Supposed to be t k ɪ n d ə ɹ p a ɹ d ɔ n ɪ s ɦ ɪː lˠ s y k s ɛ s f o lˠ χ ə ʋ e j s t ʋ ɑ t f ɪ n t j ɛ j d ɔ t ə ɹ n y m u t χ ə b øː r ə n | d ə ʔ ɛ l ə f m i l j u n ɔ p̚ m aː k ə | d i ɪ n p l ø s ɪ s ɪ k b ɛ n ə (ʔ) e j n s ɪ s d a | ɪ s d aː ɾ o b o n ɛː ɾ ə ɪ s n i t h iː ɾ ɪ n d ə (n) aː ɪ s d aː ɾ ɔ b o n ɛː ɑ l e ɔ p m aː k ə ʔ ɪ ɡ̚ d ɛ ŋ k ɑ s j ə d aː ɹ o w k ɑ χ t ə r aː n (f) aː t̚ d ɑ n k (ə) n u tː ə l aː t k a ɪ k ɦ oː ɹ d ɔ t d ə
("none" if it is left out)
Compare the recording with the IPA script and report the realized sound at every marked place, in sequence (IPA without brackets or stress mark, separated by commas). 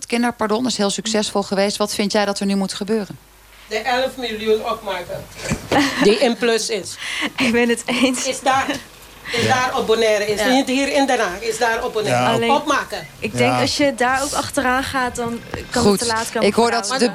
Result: t, n, χ, ɑ